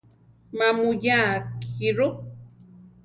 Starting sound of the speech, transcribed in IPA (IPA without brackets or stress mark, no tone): m